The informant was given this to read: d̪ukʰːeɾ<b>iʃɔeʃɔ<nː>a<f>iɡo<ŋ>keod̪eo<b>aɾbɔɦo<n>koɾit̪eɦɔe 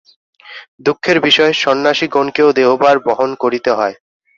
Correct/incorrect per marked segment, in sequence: correct, correct, incorrect: ʃ, incorrect: n, correct, correct

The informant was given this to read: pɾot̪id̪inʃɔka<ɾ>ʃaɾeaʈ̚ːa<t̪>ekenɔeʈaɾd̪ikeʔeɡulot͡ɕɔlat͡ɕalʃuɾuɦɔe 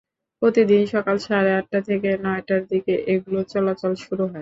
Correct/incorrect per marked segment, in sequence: incorrect: l, incorrect: t̪ʰ

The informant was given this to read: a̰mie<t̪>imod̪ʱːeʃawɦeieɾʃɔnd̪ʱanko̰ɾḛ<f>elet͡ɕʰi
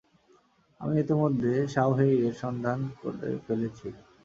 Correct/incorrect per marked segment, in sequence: correct, correct

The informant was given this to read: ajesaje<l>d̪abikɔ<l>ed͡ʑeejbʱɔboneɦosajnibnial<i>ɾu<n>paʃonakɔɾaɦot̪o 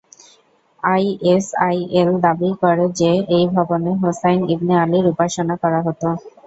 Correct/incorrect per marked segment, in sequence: correct, incorrect: ɾ, correct, incorrect: none

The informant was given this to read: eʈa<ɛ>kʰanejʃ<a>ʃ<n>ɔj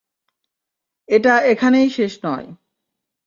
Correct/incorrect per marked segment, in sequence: incorrect: e, incorrect: e, correct

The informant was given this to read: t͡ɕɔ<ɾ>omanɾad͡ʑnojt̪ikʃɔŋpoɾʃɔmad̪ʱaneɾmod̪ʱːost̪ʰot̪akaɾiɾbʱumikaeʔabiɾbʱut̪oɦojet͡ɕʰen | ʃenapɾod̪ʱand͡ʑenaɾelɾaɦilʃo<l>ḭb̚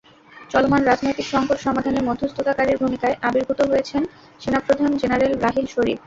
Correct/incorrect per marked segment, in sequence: incorrect: l, incorrect: ɾ

